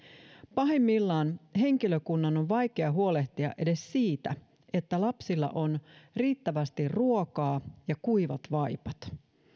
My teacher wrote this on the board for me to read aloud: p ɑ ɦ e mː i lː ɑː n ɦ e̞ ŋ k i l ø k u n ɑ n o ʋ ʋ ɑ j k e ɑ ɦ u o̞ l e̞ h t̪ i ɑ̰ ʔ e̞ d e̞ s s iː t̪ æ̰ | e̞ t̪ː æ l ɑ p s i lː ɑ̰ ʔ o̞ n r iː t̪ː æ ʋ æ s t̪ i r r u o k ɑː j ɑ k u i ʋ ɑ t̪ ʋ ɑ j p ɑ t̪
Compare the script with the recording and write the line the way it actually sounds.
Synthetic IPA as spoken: p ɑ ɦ e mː i lː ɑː n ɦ e̞ ŋ k i l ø k u nː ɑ n o ʋ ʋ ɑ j k e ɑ ɦ u o̞ l e̞ h t̪ i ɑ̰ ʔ e̞ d e̞ s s iː t̪ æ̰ | e̞ t̪ː æ l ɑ p s i lː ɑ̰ ʔ o̞ n r iː t̪ː æ ʋ æ s t̪ i r r u o k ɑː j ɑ k u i ʋ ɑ t̪ ʋ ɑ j p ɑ t̪